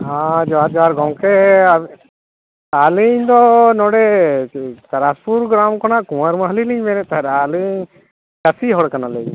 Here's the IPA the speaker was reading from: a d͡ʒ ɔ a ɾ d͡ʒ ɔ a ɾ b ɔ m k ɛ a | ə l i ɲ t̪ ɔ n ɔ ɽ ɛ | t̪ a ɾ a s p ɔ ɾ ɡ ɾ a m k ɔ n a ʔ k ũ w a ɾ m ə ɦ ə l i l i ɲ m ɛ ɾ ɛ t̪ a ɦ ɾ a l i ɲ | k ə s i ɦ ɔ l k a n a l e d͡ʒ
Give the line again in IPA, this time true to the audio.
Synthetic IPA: a d͡ʒ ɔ a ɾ d͡ʒ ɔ a ɾ ɡ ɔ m k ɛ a | a l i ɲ d̪ ɔ n ɔ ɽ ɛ | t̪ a ɾ a s p u ɾ ɡ ɾ a m k ɔ n a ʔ k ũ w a ɾ m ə ɦ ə l i l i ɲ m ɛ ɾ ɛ t̪ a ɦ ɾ a l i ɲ | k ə s i ɦ ɔ ɽ k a n a l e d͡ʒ